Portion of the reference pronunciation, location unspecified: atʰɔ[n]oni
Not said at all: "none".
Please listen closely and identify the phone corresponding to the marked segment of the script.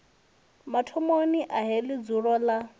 m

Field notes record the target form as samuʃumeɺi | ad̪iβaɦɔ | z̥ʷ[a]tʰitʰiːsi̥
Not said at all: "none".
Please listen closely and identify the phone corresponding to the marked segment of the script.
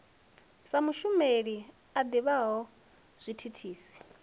i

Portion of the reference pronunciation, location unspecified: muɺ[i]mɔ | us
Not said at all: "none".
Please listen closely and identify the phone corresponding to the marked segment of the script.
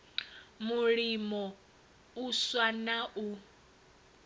i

